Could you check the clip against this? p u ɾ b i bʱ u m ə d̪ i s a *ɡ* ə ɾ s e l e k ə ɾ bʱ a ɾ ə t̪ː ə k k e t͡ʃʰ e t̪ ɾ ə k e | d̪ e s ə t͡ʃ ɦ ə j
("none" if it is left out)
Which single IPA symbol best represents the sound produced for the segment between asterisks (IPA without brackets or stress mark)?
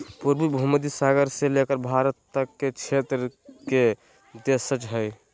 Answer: ɡ